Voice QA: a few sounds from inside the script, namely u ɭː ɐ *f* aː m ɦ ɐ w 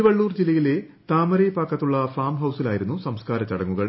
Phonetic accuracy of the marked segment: correct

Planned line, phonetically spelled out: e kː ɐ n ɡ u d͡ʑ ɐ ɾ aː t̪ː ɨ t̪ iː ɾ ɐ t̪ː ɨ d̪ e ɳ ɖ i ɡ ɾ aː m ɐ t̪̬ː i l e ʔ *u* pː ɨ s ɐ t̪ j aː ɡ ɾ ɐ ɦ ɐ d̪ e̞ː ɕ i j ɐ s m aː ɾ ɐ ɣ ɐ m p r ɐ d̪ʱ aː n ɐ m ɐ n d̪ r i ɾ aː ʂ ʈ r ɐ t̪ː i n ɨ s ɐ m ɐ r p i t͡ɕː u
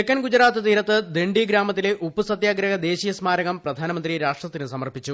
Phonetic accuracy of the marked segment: correct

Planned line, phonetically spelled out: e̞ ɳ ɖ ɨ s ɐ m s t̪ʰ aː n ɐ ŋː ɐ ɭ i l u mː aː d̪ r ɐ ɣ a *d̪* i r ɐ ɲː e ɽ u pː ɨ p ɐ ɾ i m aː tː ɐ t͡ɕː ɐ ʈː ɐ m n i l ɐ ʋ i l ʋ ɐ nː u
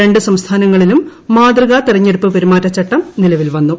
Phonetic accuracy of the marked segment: incorrect: t̪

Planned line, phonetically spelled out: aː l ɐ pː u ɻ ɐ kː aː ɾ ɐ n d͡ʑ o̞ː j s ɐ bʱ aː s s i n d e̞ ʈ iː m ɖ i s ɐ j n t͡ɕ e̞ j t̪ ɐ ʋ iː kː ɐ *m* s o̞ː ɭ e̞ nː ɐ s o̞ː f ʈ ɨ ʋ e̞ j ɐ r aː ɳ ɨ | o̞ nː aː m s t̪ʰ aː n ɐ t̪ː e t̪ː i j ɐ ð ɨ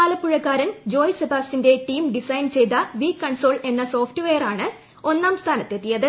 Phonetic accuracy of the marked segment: incorrect: ɳ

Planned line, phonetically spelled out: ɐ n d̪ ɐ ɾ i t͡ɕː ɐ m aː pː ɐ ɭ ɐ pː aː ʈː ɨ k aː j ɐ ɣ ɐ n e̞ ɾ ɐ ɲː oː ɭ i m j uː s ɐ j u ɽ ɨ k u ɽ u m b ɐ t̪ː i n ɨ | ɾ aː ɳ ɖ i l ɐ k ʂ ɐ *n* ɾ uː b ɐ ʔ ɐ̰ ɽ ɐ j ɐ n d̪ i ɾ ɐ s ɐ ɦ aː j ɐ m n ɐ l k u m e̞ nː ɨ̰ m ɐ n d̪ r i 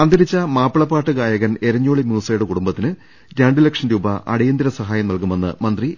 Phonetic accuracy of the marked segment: correct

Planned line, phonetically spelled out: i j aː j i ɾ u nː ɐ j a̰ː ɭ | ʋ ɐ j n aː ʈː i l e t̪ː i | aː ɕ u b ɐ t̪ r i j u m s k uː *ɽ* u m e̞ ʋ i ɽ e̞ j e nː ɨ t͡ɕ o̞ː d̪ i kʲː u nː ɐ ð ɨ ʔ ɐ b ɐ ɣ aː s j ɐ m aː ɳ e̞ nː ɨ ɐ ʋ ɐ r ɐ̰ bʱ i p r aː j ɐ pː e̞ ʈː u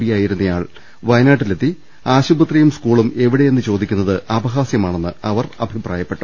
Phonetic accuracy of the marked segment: incorrect: ɭ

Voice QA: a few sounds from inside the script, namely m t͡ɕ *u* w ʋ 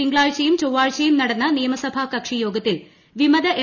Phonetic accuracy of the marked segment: incorrect: o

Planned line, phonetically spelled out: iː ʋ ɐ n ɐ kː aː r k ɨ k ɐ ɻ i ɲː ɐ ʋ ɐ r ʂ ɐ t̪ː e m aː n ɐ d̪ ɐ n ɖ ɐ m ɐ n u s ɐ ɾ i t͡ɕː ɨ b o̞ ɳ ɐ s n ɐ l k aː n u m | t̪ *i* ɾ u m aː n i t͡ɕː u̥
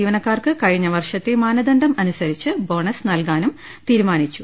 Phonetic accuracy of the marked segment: incorrect: iː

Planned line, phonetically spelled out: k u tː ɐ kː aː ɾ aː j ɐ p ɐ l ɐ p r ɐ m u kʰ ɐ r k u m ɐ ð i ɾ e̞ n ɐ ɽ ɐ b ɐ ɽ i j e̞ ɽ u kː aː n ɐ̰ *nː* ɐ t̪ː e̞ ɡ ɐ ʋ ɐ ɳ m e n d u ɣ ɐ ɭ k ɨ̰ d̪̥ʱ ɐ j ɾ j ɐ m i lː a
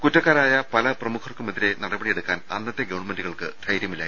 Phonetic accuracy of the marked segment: correct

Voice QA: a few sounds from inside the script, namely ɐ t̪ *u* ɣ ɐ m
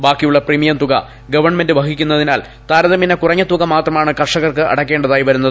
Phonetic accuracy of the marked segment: correct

